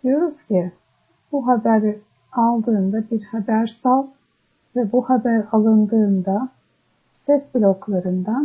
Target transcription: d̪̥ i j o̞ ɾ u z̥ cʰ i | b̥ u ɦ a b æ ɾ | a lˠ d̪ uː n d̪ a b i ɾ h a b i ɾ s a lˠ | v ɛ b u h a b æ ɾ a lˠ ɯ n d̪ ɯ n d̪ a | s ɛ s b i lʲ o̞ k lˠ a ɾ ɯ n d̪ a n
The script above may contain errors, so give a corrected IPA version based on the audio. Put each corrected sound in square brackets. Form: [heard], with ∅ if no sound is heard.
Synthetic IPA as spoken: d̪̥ i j o̞ ɾ u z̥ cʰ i | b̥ u ɦ a b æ ɾ | a lˠ d̪ [ɯː] n d̪ a b i ɾ h a b [æ] ɾ s a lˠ | v ɛ b u h a b æ ɾ a lˠ ɯ n d̪ [ɯː] n d̪ a | s ɛ s b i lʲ o̞ k lˠ a ɾ ɯ n d̪ a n